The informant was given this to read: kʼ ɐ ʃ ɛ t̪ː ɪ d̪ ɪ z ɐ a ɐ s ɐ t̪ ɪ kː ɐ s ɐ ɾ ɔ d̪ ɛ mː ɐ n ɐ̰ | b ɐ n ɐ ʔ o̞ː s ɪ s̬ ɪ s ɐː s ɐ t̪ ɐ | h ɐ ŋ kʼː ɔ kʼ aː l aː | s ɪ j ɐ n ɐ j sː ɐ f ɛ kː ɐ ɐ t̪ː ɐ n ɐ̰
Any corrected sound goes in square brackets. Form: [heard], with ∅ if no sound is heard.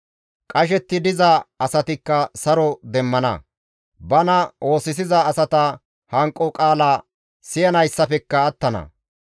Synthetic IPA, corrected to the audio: kʼ ɐ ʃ ɛ t̪ː ɪ d̪ ɪ z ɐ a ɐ s ɐ t̪ ɪ kː ɐ s ɐ ɾ ɔ d̪ ɛ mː ɐ n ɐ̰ | b ɐ n ɐ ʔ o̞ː s ɪ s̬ ɪ [z] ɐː s ɐ t̪ ɐ | h ɐ ŋ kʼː ɔ kʼ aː l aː | s ɪ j ɐ n ɐ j sː ɐ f ɛ kː ɐ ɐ t̪ː ɐ n ɐ̰